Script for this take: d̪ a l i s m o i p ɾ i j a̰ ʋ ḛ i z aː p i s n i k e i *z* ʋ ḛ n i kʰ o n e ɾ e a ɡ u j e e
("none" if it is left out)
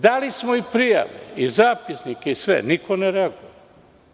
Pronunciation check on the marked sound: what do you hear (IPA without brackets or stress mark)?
s